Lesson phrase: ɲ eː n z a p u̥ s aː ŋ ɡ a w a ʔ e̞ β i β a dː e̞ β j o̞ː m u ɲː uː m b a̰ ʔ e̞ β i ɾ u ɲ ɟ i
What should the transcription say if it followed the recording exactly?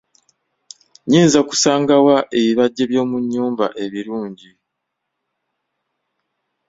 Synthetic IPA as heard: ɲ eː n z a k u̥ s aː ŋ ɡ a w a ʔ e̞ β i β a ɟː e̞ β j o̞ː m u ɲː uː m b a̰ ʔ e̞ β i ɾ uː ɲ ɟ i